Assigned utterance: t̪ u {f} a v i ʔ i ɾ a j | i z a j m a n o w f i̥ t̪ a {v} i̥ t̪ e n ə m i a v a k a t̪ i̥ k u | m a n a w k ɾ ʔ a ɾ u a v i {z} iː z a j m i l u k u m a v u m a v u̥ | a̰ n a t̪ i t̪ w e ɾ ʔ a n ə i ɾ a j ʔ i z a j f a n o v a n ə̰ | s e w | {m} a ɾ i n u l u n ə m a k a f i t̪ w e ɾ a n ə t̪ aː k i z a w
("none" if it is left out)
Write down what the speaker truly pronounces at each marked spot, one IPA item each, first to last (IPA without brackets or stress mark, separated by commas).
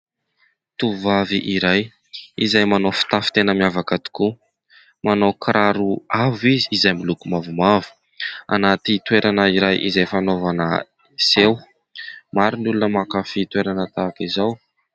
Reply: v, f, z, m